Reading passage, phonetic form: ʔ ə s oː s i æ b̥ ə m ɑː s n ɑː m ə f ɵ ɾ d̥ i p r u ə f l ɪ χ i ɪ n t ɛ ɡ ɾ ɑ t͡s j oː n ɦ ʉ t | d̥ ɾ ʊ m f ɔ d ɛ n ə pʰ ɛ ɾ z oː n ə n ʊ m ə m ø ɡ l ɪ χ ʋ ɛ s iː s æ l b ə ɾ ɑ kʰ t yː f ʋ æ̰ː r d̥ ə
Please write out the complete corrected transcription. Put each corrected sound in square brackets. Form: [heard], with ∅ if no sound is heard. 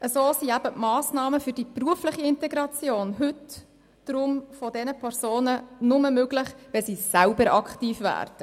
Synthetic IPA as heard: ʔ ə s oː s i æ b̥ ə m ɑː s n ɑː m ə f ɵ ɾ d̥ i p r u ə f l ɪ χ i ɪ n t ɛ ɡ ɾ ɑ t͡s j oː n ɦ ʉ t | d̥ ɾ ʊ m f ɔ d ɛ n ə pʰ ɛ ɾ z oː n ə n ʊ m ə m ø ɡ l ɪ χ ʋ ɛ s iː s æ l b ə ɾ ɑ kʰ t [iː] f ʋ æ̰ː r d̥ ə